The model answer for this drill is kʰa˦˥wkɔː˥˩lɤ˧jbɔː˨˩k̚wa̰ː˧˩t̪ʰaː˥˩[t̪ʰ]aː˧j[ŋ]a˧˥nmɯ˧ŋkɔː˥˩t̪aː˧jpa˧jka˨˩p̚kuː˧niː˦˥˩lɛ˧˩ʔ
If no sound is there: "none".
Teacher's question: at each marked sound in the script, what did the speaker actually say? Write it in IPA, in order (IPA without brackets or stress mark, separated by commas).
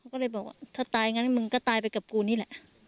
t̪, ŋ